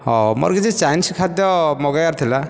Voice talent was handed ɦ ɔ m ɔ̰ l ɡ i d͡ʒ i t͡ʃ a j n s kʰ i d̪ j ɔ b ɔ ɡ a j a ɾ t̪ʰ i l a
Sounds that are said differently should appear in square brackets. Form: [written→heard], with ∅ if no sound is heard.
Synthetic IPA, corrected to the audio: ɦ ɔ m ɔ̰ [l→ɾ] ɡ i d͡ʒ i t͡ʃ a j n s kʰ [i→a] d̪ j ɔ [b→m] ɔ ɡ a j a ɾ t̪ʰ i l a